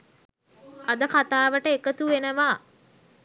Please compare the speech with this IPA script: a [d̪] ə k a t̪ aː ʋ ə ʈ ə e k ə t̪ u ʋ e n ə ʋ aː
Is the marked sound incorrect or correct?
correct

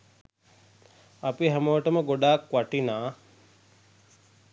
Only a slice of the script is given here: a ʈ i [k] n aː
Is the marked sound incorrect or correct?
incorrect: none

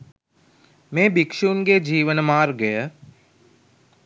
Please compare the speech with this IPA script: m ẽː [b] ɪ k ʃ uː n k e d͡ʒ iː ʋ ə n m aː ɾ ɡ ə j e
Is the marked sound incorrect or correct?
correct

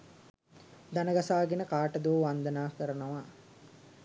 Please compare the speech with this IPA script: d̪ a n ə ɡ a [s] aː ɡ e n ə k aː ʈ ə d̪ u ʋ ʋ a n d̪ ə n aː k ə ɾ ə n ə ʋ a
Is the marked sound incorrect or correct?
correct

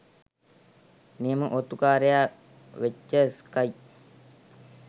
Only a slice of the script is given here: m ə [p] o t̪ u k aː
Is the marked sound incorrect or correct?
incorrect: ʔ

